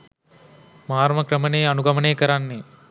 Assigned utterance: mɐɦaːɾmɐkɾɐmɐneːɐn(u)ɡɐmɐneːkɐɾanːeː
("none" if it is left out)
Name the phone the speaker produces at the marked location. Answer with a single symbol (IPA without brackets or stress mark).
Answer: u